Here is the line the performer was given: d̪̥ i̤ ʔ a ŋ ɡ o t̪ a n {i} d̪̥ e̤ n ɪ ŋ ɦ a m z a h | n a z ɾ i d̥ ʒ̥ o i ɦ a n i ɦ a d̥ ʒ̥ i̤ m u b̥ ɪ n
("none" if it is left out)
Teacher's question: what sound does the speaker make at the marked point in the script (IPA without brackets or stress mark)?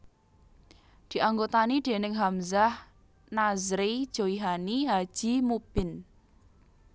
i